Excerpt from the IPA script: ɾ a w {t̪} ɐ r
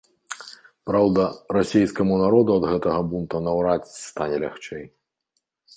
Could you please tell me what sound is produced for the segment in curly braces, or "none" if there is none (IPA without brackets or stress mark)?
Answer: d̪